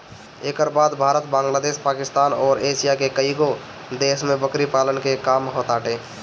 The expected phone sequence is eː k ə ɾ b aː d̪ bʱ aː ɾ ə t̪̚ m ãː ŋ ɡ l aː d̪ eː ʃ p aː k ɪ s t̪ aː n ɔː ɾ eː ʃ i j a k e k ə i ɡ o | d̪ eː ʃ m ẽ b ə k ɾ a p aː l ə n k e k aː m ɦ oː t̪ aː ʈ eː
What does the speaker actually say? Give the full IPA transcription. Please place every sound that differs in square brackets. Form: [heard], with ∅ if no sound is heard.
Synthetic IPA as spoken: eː k ə ɾ b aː d̪ bʱ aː ɾ ə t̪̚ [b] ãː ŋ ɡ l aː d̪ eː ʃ p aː k ɪ s t̪ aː n ɔː ɾ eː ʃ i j a k e k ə i ɡ o | d̪ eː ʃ m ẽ b ə k ɾ [i] p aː l ə n k e k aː m ɦ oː t̪ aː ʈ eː